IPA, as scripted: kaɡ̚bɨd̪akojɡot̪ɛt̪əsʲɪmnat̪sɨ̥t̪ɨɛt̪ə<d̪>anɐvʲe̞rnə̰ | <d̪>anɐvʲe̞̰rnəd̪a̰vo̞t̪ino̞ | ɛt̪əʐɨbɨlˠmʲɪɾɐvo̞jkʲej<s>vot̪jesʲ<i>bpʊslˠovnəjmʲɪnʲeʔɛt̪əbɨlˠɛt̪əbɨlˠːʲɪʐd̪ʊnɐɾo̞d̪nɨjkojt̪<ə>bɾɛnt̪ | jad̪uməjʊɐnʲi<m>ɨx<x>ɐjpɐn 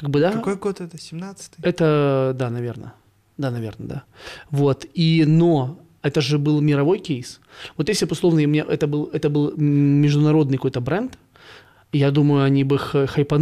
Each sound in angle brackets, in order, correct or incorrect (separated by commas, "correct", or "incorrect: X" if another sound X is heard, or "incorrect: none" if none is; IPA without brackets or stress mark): correct, correct, correct, incorrect: ɪ, correct, incorrect: b, correct